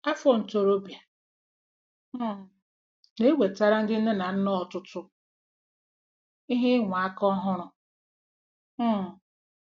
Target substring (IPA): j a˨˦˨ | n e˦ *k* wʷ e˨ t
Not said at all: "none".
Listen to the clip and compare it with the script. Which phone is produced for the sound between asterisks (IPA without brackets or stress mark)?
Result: none